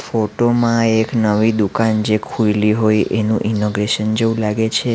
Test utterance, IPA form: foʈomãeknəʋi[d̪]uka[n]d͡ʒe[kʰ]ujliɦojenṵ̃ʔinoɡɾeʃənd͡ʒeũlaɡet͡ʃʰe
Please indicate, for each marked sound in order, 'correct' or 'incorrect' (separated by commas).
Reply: correct, correct, correct